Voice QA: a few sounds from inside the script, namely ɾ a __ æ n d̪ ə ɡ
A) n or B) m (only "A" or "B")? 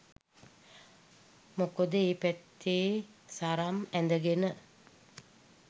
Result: B